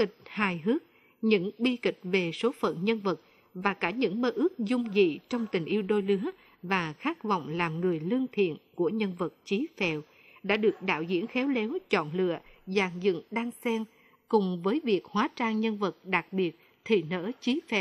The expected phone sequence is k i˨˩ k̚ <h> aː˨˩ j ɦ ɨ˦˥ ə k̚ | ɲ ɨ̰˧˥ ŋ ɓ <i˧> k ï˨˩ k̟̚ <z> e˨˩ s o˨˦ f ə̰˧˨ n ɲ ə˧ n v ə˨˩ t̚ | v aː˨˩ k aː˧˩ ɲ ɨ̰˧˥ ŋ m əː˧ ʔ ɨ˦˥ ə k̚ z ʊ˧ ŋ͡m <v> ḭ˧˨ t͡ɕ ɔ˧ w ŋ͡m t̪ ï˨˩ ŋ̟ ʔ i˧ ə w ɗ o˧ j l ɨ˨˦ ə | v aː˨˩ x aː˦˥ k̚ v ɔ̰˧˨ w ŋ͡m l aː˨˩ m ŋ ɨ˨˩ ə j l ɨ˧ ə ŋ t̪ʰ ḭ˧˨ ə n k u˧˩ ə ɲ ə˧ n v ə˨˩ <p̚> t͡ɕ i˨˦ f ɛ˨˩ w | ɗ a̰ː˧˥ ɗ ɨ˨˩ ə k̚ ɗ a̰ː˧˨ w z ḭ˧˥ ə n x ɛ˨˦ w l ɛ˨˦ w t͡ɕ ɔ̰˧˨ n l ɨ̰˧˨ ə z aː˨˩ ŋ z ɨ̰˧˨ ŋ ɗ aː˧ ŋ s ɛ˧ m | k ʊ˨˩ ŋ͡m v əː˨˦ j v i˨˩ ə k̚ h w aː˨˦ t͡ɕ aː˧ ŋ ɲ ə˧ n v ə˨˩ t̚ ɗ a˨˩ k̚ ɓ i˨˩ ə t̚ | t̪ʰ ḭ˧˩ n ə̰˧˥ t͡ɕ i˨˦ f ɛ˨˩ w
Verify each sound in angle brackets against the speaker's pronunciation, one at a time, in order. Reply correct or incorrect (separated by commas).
correct, correct, incorrect, incorrect, incorrect